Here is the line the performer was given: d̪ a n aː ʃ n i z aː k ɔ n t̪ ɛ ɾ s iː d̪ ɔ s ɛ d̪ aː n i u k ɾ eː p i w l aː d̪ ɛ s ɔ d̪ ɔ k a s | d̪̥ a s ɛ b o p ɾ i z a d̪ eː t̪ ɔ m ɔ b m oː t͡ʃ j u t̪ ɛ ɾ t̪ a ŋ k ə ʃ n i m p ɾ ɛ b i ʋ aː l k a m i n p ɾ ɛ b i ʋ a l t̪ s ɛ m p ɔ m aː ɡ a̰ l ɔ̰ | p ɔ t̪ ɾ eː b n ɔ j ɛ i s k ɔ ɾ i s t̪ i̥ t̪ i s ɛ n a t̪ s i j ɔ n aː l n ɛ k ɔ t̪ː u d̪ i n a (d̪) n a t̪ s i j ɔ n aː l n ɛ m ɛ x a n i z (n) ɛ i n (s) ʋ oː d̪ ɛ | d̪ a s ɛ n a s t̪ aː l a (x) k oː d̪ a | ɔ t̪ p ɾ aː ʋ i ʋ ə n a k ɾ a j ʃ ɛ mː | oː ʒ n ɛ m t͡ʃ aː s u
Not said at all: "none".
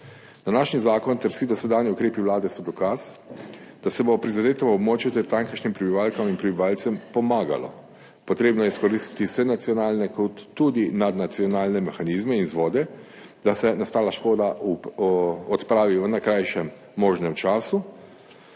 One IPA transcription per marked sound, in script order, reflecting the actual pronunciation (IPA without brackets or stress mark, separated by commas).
d̪, m, z, ʃ